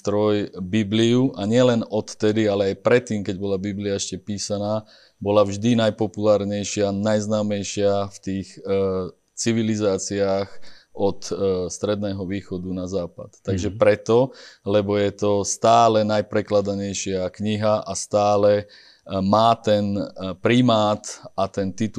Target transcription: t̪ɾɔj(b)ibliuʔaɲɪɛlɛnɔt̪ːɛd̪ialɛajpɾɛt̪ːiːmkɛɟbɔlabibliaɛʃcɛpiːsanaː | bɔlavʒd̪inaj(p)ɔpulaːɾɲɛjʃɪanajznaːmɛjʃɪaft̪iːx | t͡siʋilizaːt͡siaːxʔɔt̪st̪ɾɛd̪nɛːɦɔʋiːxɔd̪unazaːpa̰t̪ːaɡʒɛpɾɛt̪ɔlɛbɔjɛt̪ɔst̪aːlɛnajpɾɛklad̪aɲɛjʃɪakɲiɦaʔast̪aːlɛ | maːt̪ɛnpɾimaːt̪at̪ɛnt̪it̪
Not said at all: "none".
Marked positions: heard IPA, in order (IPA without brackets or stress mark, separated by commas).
b, p